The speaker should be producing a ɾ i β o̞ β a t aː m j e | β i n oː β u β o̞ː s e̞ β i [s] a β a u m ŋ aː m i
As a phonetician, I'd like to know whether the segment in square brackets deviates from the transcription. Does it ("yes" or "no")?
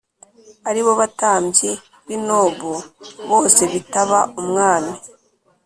yes